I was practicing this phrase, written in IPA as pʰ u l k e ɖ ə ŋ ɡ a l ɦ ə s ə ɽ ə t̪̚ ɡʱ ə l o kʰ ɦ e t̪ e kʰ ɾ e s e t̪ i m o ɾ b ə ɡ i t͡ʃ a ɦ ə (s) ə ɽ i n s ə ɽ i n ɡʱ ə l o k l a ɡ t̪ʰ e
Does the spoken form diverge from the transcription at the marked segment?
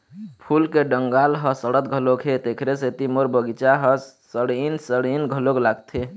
no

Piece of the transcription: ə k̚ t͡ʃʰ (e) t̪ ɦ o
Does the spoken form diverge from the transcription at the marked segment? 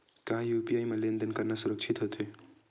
yes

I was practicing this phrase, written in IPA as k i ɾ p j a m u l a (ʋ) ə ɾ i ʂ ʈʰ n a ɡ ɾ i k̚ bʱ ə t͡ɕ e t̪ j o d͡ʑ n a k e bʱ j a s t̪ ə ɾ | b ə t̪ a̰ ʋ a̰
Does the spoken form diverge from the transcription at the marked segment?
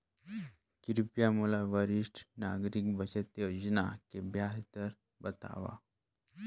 no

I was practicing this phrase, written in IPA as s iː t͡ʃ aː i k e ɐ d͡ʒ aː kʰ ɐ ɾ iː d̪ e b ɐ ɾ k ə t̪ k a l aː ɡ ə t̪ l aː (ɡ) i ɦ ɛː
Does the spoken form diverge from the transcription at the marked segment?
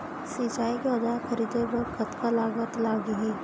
no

